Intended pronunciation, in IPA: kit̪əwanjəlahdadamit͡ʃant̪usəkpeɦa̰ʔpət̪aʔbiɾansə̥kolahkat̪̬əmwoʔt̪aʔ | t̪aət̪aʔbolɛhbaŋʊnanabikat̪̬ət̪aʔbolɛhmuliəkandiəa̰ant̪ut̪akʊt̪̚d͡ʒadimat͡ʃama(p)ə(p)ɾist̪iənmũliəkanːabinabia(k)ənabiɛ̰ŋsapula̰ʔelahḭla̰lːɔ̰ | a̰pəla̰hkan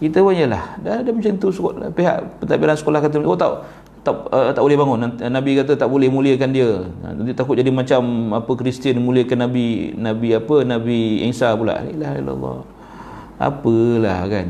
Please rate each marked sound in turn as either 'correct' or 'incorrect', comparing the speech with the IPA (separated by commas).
correct, incorrect, incorrect